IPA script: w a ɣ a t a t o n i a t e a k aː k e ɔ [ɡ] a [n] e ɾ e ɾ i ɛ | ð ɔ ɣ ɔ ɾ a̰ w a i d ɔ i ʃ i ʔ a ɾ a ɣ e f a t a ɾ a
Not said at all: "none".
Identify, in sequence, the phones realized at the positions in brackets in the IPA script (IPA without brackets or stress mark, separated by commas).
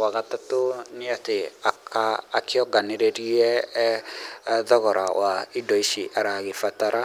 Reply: ɡ, n